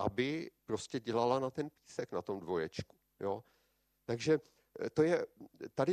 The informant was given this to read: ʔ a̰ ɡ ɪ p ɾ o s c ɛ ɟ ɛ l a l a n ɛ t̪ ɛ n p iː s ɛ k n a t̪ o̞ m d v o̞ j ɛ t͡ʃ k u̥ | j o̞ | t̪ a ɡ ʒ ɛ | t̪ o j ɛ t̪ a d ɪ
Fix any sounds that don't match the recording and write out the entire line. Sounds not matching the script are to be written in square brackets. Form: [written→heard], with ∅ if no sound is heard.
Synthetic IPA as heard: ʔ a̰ [ɡ→b] ɪ p ɾ o s c ɛ ɟ ɛ l a l a n [ɛ→a] t̪ ɛ n p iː s ɛ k n a t̪ o̞ m d v o̞ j ɛ t͡ʃ k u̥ | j o̞ | t̪ a ɡ ʒ ɛ | t̪ o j ɛ t̪ a d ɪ